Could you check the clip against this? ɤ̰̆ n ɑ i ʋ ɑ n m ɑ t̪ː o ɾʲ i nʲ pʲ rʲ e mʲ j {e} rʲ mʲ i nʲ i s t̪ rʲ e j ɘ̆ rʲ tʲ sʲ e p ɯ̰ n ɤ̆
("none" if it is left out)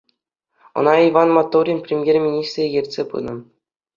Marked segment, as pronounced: e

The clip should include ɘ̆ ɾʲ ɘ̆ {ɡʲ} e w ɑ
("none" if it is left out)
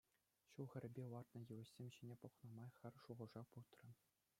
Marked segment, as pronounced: bʲ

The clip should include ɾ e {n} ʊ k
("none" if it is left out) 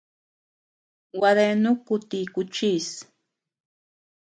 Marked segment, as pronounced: n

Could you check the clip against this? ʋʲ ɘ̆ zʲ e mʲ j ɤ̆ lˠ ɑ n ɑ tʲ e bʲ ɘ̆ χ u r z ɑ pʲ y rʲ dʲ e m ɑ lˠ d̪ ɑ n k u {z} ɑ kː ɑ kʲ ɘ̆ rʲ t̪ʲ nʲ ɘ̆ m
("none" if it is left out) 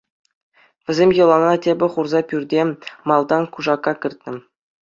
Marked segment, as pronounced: ʐ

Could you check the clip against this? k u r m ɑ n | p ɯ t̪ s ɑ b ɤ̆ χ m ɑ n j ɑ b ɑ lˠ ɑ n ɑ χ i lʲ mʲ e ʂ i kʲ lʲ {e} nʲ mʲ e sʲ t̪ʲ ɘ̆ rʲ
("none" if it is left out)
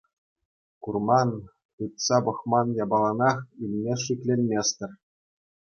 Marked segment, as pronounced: e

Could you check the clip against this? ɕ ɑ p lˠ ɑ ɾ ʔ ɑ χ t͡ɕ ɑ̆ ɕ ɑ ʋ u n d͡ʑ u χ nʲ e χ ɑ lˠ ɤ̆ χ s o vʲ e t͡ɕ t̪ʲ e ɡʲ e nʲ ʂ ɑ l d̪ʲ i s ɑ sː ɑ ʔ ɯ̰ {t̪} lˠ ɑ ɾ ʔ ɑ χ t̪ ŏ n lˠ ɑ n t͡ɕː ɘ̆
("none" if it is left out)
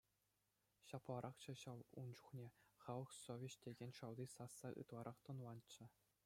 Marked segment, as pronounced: t̪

